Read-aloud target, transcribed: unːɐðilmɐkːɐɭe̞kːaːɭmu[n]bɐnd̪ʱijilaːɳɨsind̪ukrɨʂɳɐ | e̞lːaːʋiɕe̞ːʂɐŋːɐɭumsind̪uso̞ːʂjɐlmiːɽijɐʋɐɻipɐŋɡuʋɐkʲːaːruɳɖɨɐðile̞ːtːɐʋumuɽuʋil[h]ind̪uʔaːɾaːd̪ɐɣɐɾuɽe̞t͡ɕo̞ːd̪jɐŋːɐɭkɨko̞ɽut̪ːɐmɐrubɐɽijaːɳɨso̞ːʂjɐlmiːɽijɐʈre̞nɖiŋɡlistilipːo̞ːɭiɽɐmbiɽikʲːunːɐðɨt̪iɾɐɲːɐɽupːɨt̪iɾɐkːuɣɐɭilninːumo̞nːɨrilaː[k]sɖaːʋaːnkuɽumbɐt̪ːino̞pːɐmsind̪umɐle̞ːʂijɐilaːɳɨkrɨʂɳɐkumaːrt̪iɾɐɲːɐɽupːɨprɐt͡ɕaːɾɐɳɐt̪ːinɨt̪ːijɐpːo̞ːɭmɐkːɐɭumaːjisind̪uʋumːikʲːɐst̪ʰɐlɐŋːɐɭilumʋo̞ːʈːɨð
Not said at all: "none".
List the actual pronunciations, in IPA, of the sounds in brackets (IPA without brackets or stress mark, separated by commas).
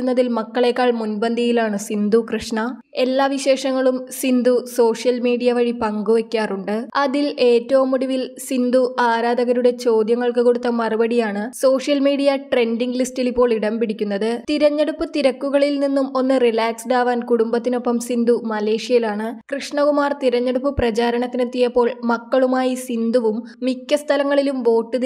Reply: n, s, k